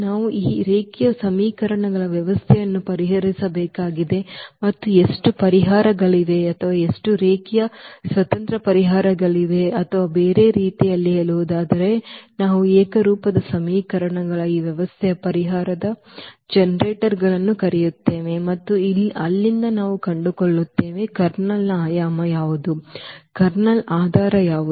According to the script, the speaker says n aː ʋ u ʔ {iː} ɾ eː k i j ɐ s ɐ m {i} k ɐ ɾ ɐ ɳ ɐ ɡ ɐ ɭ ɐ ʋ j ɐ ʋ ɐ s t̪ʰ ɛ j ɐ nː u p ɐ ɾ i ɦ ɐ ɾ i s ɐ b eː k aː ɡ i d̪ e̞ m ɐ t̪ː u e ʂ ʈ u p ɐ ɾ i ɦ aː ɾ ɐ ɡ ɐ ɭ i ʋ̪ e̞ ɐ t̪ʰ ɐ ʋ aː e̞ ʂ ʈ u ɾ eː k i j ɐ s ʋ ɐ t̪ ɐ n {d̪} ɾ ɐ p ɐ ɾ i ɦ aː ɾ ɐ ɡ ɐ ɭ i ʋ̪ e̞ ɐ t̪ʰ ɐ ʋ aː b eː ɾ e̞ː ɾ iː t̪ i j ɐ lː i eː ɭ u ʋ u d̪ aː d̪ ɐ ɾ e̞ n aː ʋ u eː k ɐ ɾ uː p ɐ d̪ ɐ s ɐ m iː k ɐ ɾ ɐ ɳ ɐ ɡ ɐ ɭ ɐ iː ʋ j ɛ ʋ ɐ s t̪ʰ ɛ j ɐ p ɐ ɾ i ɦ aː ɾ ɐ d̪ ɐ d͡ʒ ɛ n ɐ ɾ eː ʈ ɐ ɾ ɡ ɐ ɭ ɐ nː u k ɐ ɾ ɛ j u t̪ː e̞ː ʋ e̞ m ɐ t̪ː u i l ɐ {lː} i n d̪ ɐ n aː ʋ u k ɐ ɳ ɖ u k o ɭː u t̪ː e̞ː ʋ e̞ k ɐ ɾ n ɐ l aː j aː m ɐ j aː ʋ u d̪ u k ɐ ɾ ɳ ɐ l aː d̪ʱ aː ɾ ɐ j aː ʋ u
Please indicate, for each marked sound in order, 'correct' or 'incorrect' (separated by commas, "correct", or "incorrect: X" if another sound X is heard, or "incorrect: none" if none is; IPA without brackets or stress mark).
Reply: correct, incorrect: iː, incorrect: t̪, correct